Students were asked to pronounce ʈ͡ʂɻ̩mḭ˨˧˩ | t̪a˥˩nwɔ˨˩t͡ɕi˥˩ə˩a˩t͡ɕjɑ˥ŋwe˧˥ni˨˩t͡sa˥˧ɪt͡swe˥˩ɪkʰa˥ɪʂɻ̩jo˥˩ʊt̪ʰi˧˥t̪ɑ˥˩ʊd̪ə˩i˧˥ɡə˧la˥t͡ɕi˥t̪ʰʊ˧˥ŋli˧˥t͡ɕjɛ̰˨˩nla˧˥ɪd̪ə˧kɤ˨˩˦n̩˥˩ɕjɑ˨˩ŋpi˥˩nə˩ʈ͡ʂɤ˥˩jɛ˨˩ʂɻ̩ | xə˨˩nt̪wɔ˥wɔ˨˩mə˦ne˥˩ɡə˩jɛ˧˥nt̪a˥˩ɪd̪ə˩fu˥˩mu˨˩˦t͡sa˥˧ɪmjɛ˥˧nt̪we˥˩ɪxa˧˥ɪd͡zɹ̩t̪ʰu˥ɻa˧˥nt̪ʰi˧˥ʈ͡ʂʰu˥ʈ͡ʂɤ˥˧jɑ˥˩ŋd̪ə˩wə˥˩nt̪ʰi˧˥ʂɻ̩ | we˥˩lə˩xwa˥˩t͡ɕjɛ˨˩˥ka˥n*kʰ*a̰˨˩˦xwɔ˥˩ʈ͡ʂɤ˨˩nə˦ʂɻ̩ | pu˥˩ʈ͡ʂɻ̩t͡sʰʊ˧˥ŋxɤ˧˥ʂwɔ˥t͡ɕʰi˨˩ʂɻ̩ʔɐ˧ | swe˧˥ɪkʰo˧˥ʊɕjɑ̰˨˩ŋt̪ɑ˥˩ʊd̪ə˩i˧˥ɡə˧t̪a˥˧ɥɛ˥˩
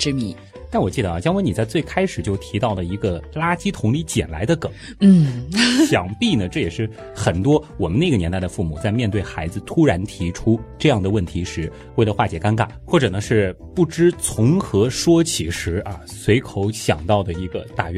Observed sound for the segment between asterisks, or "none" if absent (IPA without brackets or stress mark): k